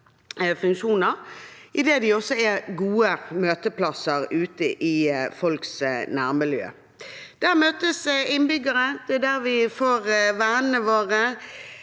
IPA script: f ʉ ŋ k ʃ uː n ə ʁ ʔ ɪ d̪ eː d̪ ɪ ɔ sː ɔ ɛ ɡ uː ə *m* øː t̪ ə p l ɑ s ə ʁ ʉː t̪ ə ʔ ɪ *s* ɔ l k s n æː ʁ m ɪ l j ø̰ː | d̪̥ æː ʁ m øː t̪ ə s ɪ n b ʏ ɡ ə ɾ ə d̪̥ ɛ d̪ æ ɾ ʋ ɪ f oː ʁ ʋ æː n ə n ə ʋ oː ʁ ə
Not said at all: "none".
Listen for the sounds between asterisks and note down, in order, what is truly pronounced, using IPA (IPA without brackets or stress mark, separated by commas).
m, f